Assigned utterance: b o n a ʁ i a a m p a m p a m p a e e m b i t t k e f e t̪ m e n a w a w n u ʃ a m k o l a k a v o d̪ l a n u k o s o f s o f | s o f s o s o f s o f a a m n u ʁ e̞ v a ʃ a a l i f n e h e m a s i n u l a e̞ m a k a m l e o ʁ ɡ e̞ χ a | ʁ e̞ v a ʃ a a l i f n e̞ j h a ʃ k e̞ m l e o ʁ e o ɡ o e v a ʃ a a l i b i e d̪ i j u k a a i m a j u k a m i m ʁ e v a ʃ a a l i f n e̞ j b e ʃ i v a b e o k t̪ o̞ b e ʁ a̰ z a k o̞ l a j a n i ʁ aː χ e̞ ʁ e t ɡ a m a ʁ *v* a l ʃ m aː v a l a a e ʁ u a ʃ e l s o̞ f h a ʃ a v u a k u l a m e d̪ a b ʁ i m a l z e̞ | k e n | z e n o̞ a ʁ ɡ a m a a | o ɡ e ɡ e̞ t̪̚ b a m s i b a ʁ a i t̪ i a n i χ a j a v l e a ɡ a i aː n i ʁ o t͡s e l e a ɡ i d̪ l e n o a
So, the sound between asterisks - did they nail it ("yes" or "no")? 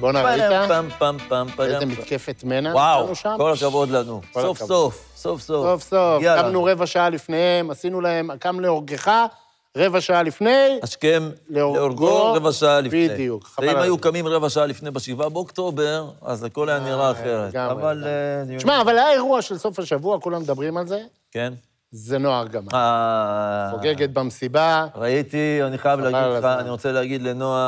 yes